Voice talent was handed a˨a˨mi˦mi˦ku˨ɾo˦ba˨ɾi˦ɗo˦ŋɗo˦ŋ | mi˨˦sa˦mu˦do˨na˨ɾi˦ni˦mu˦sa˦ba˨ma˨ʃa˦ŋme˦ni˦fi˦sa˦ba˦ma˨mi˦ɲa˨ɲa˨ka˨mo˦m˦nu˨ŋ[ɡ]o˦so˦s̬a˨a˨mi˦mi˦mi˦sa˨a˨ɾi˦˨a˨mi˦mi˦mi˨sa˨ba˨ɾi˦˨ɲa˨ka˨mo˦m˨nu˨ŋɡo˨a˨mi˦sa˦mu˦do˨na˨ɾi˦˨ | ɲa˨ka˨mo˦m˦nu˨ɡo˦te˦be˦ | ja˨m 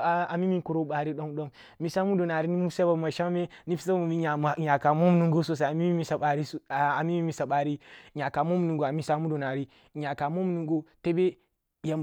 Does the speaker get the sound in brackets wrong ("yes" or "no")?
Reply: no